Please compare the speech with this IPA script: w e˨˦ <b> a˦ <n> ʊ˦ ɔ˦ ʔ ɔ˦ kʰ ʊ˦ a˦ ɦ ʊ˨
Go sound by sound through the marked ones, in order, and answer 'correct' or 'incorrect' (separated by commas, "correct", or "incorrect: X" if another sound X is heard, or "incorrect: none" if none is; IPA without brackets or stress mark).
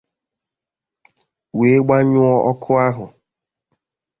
incorrect: ɡ͡b, incorrect: ɲ